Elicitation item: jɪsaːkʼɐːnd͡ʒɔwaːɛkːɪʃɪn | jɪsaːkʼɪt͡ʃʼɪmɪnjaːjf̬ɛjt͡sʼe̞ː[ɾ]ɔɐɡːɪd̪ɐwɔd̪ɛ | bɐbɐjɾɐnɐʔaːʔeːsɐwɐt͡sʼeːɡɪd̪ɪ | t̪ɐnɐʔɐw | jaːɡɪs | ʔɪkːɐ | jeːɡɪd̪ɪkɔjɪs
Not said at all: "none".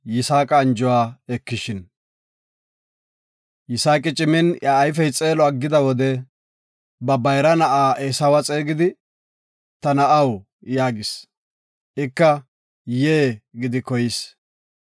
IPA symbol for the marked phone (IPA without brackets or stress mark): l